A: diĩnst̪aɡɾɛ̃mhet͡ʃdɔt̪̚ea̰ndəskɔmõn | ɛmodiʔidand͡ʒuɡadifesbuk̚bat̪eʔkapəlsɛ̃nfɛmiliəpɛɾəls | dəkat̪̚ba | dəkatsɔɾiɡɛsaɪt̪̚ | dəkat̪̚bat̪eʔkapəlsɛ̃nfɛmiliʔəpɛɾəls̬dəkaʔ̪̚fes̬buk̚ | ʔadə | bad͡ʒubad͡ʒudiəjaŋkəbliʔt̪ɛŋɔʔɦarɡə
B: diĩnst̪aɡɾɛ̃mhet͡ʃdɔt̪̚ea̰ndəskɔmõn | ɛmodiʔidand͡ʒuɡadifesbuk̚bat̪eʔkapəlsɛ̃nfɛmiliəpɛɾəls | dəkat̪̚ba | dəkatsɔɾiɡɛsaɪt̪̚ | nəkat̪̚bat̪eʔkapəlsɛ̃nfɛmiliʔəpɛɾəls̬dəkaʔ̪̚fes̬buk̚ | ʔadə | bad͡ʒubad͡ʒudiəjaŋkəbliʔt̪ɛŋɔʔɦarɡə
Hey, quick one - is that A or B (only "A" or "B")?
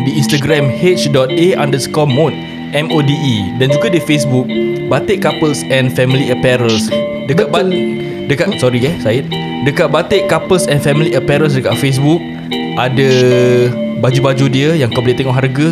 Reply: A